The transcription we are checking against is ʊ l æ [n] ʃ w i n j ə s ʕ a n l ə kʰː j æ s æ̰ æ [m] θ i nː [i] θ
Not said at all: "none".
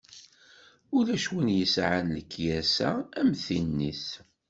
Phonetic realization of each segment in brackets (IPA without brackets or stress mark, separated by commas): none, m, i